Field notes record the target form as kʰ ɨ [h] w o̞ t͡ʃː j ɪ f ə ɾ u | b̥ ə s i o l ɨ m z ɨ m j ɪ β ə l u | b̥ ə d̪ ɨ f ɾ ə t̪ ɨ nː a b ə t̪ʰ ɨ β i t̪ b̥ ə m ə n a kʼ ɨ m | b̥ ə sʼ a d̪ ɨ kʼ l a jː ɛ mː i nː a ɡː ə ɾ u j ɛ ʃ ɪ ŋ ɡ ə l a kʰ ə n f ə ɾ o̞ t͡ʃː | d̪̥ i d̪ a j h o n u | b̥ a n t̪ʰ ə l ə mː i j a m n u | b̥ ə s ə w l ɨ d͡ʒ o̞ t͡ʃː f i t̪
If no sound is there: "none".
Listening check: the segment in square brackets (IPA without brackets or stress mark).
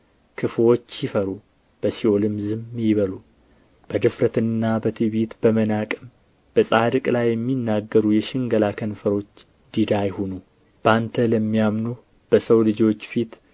f